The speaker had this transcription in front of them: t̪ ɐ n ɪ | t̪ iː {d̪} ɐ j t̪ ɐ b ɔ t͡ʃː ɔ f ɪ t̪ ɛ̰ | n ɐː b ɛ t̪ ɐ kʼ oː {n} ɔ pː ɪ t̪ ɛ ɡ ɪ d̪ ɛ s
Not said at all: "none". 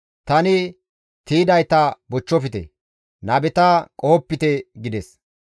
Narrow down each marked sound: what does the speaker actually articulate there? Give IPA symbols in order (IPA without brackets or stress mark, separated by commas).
d̪, none